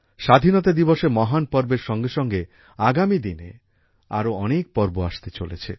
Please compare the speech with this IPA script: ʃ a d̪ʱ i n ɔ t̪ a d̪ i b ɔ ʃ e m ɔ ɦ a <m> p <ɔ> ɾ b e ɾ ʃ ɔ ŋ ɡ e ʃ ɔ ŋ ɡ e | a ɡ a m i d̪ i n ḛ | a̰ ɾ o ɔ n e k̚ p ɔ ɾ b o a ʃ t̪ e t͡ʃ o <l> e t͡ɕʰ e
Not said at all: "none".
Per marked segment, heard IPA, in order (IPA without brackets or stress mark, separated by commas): n, ɔ, l